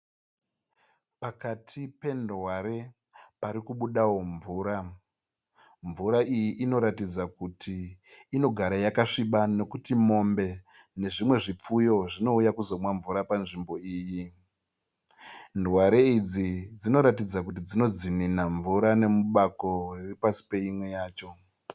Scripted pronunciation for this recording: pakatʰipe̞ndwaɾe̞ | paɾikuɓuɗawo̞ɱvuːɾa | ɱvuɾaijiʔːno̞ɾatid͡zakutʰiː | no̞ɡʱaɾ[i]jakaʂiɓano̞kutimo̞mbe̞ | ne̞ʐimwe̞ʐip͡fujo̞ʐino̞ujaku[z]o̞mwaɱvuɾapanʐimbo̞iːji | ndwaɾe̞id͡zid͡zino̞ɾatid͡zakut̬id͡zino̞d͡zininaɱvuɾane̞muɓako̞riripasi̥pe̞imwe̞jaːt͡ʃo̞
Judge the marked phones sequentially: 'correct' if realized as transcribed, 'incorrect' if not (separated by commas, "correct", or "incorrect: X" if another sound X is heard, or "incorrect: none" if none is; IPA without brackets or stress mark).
incorrect: a, correct